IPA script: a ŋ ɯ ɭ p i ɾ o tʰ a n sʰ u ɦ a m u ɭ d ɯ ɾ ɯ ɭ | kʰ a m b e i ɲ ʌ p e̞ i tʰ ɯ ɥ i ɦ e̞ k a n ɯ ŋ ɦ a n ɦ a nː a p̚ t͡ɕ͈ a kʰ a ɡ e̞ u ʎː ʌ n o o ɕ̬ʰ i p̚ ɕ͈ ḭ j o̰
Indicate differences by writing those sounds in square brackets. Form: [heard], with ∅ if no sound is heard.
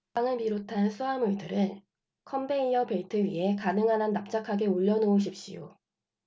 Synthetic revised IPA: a ŋ ɯ ɭ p i ɾ o tʰ a n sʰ u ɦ a m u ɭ d ɯ ɾ ɯ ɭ | kʰ [ʌ] m b e i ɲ ʌ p e̞ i tʰ ɯ ɥ i ɦ e̞ k a n ɯ ŋ ɦ a n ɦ a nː a p̚ t͡ɕ͈ a kʰ a ɡ e̞ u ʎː ʌ n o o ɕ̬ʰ i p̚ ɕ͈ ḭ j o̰